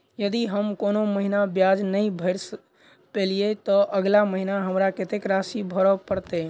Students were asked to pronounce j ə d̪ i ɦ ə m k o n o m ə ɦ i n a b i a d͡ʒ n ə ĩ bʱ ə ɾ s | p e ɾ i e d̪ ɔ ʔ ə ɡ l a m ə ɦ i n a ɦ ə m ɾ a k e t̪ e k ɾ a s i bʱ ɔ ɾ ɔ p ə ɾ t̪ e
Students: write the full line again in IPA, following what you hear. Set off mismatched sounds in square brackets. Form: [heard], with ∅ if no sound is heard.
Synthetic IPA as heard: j ə d̪ i ɦ ə m k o n o m ə ɦ i n a b [j] a d͡ʒ n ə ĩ bʱ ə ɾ s | p e [l] i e [t̪] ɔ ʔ ə ɡ l a m ə ɦ i n a ɦ ə m ɾ a k e t̪ e k ɾ a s i bʱ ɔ ɾ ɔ p ə ɾ t̪ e